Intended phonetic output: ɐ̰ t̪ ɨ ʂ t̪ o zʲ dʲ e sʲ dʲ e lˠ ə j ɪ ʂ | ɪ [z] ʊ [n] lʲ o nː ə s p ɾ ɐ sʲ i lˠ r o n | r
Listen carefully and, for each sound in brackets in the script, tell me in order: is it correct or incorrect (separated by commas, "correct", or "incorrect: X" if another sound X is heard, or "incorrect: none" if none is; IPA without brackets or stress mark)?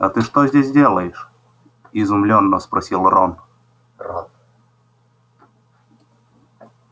correct, incorrect: m